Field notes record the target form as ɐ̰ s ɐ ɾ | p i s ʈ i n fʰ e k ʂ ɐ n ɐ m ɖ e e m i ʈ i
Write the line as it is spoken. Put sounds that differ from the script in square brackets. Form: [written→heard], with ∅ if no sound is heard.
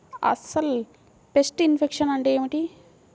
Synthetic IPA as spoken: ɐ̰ s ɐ [ɾ→l] | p [i→e] s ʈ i n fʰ e k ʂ ɐ n ɐ [m→ɳ] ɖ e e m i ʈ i